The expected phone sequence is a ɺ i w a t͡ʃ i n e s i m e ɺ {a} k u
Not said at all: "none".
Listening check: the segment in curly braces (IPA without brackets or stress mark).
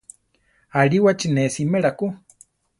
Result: a